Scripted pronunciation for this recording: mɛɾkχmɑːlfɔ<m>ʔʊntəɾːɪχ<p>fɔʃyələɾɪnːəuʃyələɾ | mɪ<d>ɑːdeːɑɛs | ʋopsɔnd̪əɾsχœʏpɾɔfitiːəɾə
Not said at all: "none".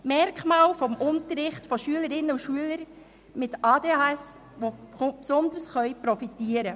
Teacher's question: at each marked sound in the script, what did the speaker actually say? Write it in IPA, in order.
m, t, t

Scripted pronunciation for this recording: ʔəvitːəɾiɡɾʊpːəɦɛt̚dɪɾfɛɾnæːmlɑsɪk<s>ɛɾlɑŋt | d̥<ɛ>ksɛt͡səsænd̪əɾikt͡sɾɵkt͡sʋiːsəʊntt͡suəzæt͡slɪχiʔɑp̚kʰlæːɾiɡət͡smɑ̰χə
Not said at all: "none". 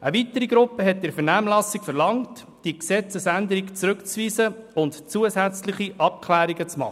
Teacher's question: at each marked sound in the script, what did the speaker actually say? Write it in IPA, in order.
f, i

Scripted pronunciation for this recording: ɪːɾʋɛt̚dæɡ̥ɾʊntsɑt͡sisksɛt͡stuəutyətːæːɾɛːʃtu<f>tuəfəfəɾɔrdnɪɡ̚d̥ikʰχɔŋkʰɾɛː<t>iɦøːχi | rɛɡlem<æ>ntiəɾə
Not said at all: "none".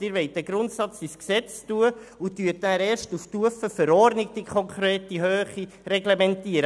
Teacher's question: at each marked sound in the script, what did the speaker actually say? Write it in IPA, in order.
f, t, ɛ

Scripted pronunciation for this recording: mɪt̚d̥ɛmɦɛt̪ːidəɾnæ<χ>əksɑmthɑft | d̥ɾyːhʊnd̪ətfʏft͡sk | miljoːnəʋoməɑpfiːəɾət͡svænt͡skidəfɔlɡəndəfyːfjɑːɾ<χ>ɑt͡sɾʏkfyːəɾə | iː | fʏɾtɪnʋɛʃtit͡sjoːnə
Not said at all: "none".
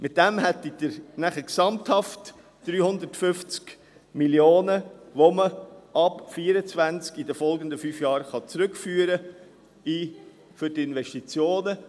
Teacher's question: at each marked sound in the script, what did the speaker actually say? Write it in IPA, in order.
χ, χ

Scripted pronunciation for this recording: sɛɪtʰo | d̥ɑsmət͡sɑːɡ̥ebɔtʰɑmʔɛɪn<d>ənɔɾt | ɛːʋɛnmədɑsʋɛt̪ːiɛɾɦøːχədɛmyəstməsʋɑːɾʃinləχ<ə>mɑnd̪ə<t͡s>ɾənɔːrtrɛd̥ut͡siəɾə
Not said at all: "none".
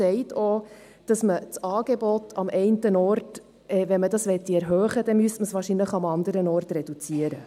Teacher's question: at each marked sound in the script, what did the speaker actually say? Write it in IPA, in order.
t, ɑ, none

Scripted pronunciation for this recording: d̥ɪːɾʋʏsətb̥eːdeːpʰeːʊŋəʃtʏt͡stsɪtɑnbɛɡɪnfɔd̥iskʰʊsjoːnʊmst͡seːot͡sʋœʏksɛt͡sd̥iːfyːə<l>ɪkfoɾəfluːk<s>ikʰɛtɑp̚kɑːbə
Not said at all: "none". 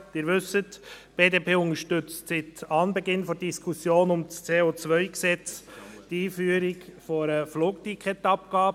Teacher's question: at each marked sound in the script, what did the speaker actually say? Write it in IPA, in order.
ɾ, t

